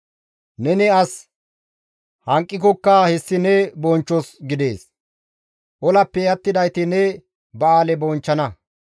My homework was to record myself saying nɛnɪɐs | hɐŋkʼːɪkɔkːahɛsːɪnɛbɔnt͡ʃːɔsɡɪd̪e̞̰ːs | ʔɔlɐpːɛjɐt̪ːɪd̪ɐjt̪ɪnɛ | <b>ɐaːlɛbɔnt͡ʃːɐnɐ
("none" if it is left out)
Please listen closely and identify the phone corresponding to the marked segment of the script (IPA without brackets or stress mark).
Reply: b